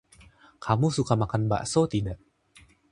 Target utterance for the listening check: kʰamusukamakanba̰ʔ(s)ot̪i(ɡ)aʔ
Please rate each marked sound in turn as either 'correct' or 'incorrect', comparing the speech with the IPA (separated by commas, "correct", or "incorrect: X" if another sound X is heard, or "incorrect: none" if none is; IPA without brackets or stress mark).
correct, incorrect: d